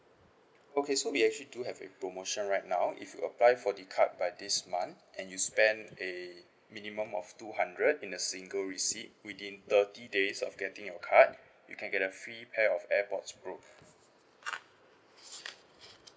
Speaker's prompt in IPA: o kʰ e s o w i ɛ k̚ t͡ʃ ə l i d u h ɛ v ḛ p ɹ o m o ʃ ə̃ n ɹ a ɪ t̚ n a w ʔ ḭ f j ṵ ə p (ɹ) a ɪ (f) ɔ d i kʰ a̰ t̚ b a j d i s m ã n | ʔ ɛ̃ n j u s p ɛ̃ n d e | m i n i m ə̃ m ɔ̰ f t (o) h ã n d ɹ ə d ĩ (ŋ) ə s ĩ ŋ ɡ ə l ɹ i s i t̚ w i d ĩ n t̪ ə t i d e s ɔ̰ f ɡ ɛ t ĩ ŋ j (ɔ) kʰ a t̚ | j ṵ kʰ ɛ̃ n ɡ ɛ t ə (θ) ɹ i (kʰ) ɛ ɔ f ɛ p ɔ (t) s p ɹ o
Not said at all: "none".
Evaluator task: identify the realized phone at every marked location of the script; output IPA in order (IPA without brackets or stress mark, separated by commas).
l, f, u, n, ɔ, f, pʰ, t